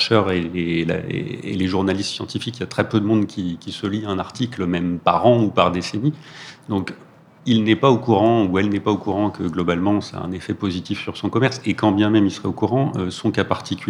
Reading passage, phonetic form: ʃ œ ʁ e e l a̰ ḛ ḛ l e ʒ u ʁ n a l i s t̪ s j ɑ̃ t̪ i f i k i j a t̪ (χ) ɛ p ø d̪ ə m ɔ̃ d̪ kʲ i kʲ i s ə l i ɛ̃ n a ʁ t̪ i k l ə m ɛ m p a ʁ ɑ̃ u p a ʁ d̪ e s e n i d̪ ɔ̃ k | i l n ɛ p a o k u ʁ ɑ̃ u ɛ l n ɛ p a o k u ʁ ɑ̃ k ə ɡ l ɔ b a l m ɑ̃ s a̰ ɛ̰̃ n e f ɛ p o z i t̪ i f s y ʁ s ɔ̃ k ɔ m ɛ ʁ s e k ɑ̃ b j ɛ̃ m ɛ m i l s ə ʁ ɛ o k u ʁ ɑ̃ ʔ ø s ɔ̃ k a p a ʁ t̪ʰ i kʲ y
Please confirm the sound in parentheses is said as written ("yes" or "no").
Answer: yes